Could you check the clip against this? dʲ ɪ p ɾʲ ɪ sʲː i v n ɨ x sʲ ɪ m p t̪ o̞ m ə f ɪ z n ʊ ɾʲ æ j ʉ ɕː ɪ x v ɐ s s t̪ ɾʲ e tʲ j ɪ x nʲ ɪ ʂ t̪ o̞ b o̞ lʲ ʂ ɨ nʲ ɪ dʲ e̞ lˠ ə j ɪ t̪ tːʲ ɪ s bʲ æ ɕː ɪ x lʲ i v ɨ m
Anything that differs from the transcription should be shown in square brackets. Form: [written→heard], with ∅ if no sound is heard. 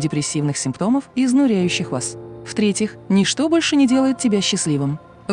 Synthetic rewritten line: dʲ ɪ p ɾʲ ɪ sʲː i v n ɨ x sʲ ɪ m p t̪ o̞ m ə f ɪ z n ʊ ɾʲ æ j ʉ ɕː ɪ x v [ɐ→a] s [s→f] t̪ ɾʲ e tʲ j ɪ x nʲ ɪ ʂ t̪ o̞ b o̞ lʲ ʂ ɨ nʲ ɪ dʲ e̞ lˠ ə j ɪ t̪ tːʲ ɪ [s→∅] bʲ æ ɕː ɪ [x→s] lʲ i v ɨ m